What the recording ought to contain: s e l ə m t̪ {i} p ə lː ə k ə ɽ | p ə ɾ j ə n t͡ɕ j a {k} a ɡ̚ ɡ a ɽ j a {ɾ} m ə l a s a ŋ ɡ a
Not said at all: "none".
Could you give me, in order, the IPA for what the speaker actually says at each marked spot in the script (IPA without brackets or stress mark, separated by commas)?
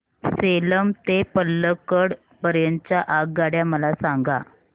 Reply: e, ʔ, none